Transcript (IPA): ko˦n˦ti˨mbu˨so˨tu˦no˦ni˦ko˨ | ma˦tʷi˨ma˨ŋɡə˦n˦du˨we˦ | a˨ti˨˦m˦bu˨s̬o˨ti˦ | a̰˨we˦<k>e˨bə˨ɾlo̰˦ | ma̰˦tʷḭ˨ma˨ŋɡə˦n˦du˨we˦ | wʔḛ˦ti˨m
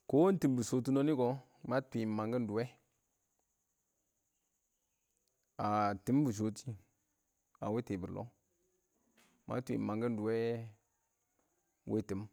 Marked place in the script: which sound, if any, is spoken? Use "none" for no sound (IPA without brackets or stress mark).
t